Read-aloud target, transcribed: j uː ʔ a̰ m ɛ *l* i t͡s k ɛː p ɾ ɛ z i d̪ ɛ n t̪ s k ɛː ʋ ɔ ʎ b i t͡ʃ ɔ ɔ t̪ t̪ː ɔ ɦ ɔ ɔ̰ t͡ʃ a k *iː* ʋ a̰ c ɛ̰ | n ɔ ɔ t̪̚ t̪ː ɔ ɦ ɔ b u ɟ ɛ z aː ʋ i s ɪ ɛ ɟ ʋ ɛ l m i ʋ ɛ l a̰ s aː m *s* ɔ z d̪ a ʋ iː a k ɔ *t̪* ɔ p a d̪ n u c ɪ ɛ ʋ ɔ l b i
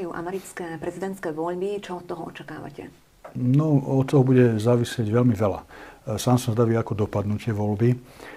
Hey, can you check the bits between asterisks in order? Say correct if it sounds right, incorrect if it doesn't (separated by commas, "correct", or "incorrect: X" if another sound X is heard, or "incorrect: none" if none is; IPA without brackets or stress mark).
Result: incorrect: ɾ, incorrect: aː, correct, incorrect: d̪